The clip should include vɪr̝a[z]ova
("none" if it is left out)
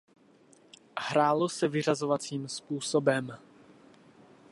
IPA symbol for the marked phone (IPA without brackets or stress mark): z